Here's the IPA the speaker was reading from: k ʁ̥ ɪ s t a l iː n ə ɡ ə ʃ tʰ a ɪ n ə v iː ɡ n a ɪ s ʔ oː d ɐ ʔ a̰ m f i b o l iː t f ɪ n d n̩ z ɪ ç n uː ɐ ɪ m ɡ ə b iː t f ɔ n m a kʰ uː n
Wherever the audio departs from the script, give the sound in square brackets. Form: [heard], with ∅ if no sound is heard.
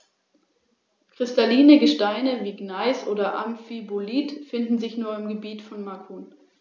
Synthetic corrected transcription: k ʁ̥ ɪ s t a l iː n ə ɡ ə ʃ [t] a ɪ n ə v iː ɡ n a ɪ s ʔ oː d ɐ ʔ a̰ m f i b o l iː t f ɪ n d n̩ z ɪ ç n uː ɐ ɪ m ɡ ə b iː t f ɔ n m a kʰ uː n